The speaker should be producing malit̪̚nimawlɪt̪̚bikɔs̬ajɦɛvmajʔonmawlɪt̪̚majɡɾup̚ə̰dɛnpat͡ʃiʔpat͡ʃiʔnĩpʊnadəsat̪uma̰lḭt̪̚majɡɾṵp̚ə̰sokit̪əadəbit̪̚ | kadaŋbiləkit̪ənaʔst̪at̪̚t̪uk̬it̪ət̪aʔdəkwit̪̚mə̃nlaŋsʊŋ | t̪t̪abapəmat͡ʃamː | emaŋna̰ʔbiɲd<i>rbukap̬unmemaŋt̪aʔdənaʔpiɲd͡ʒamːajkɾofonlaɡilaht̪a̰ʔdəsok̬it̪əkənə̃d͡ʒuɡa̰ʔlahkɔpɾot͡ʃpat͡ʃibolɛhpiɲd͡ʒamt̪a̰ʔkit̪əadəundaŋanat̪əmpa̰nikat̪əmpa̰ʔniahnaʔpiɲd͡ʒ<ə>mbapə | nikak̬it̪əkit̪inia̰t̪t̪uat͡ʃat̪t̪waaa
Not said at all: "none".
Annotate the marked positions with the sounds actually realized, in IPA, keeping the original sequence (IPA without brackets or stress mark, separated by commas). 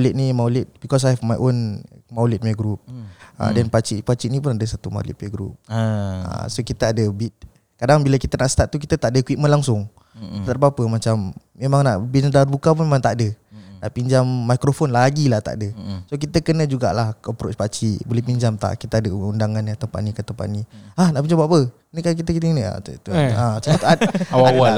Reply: a, a